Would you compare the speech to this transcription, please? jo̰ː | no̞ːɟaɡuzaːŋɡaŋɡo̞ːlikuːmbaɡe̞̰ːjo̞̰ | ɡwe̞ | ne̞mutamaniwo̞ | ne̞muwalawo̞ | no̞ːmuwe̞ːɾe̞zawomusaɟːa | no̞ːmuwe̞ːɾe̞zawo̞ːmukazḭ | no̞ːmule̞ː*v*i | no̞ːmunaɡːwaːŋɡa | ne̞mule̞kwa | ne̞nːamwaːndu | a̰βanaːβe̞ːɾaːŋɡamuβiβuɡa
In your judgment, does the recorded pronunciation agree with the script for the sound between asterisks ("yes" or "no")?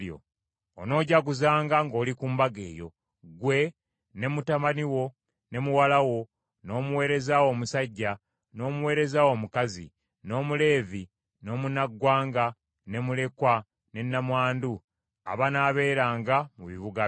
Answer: yes